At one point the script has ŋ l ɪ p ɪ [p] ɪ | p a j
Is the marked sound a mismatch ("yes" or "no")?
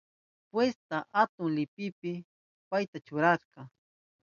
no